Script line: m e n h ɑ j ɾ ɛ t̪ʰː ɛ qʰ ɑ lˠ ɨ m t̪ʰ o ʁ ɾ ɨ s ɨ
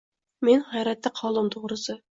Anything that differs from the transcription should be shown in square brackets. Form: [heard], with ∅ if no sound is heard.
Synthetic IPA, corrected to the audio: m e n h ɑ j ɾ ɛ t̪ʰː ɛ qʰ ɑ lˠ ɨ m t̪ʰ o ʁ ɾ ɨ s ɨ